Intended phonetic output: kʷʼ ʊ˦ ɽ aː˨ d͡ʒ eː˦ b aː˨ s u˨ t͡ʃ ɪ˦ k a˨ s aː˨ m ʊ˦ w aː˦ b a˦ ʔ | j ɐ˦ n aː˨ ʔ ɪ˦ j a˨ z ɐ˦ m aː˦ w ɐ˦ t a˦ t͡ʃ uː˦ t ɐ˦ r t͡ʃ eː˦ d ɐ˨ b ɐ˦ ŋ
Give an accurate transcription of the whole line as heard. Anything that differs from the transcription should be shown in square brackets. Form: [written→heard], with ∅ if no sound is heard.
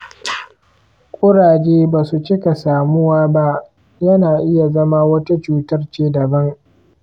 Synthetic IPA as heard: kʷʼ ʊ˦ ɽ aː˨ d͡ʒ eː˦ b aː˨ s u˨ t͡ʃ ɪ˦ k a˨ s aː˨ m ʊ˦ w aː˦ b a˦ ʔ | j ɐ˦ n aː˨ ʔ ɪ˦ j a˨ z ɐ˦ m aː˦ w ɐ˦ t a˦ t͡ʃ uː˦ t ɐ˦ r t͡ʃ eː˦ d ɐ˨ b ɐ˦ ŋ